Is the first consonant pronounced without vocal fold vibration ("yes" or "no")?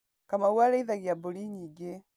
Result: yes